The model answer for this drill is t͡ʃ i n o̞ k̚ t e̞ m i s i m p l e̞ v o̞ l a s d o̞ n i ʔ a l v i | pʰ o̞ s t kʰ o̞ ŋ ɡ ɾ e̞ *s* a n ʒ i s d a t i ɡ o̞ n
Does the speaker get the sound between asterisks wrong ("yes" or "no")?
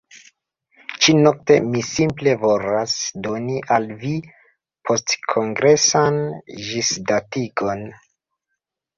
no